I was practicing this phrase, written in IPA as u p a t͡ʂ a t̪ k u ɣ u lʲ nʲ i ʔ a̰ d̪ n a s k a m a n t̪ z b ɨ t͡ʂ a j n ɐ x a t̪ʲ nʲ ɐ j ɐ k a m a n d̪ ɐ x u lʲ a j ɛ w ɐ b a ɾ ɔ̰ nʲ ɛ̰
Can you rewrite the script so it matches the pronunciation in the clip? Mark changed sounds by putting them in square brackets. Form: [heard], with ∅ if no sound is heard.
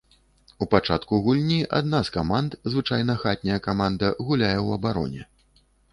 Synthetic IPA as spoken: u p a t͡ʂ a t̪ k u ɣ u lʲ nʲ i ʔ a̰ d̪ n a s k a m a n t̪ z [v] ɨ t͡ʂ a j n ɐ x a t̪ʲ nʲ ɐ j ɐ k a m a n d̪ ɐ [ɣ] u lʲ a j ɛ w ɐ b a ɾ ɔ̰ nʲ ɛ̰

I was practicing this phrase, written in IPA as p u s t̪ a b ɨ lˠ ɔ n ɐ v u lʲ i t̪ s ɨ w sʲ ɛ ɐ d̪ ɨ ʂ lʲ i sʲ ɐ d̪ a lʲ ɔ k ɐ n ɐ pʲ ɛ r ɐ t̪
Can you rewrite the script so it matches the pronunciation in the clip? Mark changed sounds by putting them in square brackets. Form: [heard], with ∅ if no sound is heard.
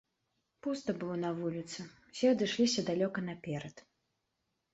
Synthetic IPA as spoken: p u s t̪ [ɐ] b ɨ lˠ ɔ n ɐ v u lʲ i t̪ s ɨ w sʲ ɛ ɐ d̪ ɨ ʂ lʲ i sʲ ɐ d̪ a lʲ ɔ k ɐ n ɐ pʲ ɛ [ɾ] ɐ t̪

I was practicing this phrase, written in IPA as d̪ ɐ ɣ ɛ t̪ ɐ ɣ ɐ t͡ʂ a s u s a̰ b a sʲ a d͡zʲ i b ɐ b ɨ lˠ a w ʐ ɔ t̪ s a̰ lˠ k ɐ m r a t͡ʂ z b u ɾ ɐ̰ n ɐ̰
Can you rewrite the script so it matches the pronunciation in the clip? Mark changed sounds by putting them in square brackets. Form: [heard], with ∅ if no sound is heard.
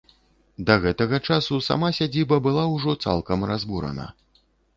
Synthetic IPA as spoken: d̪ ɐ ɣ ɛ t̪ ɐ ɣ ɐ t͡ʂ a s u s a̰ [m] a sʲ a d͡zʲ i b ɐ b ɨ lˠ a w ʐ ɔ t̪ s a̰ lˠ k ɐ m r a [∅] z b u ɾ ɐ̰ n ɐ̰

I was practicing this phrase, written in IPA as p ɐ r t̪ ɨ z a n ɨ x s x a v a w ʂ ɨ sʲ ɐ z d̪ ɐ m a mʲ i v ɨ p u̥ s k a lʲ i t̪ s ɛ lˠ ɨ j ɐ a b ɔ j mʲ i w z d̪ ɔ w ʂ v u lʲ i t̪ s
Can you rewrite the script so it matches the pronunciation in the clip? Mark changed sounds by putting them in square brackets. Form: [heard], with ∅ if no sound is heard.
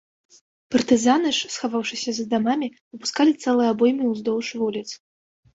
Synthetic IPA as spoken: p ɐ r t̪ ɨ z a n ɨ [ʂ] s x a v a w ʂ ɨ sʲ ɐ z d̪ [a] m a mʲ i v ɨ p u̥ s k a lʲ i t̪ s ɛ lˠ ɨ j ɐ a b ɔ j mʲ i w z d̪ ɔ w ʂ v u lʲ i t̪ s

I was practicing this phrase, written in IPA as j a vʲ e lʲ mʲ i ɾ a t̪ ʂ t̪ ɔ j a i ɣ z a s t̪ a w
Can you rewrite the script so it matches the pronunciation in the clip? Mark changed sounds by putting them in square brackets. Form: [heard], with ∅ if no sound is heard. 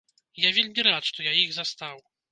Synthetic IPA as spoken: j a vʲ e lʲ mʲ i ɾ a t̪ ʂ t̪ ɔ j a i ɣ z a s t̪ a w

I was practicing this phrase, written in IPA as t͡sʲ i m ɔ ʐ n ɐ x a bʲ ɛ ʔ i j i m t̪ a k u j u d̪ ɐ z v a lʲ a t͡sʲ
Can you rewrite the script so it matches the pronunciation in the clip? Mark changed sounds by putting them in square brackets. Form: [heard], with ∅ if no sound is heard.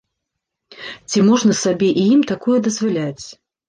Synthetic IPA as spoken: t͡sʲ i m ɔ ʐ n ɐ [s] a bʲ ɛ ʔ i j i m t̪ a k u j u d̪ ɐ z v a lʲ a t͡sʲ

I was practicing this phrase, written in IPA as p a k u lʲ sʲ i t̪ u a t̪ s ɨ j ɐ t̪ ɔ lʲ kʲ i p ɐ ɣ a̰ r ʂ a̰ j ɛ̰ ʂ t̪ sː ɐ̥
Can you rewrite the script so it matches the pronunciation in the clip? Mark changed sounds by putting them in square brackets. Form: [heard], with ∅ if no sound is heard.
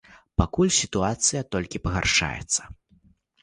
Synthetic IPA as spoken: p a k u lʲ sʲ i t̪ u a t̪ s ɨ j ɐ t̪ ɔ lʲ kʲ i p ɐ ɣ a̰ r ʂ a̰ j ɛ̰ [∅] t̪ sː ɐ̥

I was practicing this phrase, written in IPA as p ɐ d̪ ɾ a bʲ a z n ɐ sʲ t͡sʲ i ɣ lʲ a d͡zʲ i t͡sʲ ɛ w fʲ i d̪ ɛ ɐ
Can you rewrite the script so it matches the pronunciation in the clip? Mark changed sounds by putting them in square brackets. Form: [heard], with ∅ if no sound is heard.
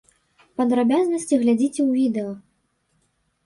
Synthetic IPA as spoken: p ɐ d̪ ɾ a bʲ a z n ɐ sʲ t͡sʲ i ɣ lʲ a d͡zʲ i t͡sʲ ɛ w [vʲ] i d̪ ɛ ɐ

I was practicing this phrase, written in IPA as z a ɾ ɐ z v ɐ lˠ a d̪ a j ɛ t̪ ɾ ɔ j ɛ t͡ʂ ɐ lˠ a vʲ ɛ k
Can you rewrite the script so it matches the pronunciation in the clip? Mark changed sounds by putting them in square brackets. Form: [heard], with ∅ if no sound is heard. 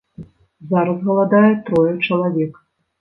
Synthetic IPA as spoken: z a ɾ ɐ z [ɣ] ɐ lˠ a d̪ a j ɛ t̪ ɾ ɔ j ɛ t͡ʂ ɐ lˠ a vʲ ɛ k

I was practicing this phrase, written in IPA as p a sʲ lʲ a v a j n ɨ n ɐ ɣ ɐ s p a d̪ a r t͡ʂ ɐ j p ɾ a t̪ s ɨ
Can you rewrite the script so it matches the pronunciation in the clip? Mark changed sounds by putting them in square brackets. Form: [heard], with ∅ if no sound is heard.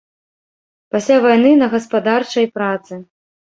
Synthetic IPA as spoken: p a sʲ lʲ a v a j n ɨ n ɐ ɣ ɐ s p a d̪ a r t͡ʂ ɐ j p ɾ a t̪ s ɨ

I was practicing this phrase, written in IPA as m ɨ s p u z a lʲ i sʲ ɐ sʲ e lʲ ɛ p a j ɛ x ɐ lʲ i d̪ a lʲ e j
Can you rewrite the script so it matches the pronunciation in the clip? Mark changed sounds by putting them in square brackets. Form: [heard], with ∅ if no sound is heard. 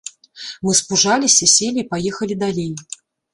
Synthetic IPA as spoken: m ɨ s p u [ʐ] a lʲ i sʲ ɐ sʲ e lʲ [i] p a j ɛ x ɐ lʲ i d̪ a lʲ e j

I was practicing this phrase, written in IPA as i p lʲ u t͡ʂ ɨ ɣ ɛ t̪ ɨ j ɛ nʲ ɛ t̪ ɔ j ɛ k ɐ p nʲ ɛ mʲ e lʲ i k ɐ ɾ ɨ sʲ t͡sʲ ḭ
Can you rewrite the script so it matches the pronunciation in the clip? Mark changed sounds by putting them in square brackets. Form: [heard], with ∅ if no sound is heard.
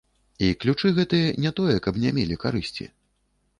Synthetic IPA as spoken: i [k] lʲ u t͡ʂ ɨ ɣ ɛ t̪ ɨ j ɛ nʲ ɛ t̪ ɔ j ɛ k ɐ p nʲ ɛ mʲ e lʲ i k [a] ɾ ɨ sʲ t͡sʲ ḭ

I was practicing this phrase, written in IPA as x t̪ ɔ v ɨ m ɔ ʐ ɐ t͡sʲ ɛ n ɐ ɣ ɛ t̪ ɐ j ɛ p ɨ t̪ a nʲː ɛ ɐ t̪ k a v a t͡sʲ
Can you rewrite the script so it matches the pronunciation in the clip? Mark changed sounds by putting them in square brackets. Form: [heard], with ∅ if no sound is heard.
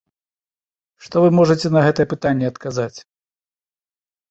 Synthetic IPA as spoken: [ʂ] t̪ ɔ v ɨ m ɔ ʐ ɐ t͡sʲ ɛ n ɐ ɣ ɛ t̪ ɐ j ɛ p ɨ t̪ a nʲː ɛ ɐ t̪ k a [z] a t͡sʲ

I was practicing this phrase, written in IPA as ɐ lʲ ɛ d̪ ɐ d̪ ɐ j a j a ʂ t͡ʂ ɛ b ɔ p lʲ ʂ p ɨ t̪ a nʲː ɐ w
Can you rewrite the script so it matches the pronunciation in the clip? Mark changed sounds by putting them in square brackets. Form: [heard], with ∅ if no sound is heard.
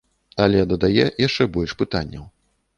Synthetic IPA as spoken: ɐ lʲ ɛ d̪ ɐ d̪ [a] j [ɛ] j a ʂ t͡ʂ ɛ b ɔ [∅] lʲ ʂ p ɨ t̪ a nʲː ɐ w

